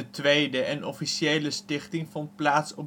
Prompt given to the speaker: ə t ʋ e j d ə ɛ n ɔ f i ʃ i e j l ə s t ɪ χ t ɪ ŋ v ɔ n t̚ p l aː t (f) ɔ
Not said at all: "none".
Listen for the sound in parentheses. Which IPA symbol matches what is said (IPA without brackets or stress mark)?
s